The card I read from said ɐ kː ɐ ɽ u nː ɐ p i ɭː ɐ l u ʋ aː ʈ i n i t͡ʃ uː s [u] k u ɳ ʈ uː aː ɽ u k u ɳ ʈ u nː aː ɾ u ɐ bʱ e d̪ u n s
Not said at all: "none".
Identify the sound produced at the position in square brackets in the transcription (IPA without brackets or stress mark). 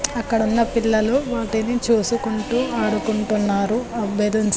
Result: u